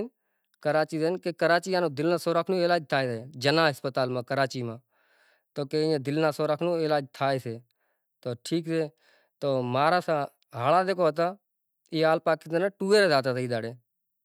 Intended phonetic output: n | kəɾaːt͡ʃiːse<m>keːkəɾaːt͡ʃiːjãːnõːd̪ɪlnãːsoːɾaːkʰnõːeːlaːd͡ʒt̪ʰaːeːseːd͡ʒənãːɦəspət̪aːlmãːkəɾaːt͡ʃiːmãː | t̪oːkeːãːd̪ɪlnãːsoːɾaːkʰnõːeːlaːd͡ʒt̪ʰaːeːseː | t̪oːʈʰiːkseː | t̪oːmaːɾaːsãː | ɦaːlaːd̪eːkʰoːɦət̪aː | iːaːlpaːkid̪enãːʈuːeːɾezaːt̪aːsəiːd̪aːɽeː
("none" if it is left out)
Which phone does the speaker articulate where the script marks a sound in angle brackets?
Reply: n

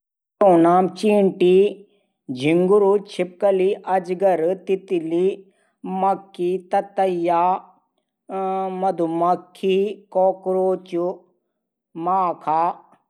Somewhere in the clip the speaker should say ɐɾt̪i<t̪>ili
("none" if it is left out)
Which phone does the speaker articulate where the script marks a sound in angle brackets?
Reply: t̪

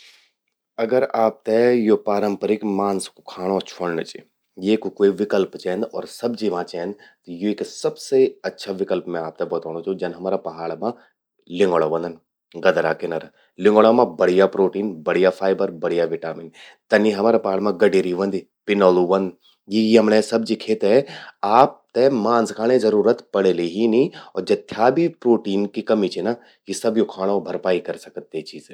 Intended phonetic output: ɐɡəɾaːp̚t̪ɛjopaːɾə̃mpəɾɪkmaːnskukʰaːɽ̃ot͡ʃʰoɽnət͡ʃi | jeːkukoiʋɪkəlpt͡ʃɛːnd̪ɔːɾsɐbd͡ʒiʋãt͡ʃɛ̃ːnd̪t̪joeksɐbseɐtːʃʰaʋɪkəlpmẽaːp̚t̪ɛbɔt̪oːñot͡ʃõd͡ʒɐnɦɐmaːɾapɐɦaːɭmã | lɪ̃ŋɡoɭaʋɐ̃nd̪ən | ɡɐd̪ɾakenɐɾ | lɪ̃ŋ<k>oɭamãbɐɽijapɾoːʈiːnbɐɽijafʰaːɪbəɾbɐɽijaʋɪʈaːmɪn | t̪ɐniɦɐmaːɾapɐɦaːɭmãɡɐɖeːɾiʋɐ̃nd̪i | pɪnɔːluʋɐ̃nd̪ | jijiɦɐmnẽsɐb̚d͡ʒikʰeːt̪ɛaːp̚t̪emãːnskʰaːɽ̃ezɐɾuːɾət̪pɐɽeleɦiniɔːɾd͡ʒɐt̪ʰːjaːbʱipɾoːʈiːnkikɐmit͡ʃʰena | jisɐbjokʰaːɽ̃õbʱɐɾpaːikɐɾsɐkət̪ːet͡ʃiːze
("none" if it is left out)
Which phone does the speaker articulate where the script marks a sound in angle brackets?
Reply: ɡ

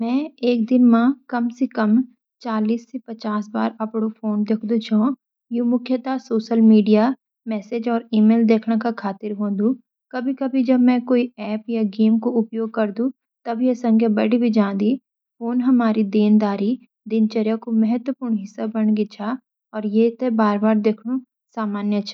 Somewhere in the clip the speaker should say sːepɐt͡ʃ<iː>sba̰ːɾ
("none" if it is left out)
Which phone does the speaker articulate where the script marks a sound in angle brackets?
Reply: aː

